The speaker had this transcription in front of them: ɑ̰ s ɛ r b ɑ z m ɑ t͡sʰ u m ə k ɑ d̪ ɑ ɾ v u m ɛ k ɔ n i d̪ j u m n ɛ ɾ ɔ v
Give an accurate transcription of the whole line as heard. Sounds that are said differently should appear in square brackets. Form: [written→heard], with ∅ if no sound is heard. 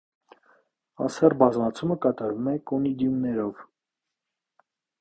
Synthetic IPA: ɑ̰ s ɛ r b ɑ z m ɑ t͡sʰ u m ə k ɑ [d̪→t̪] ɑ ɾ v u m ɛ k ɔ n i d̪ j u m n ɛ ɾ ɔ v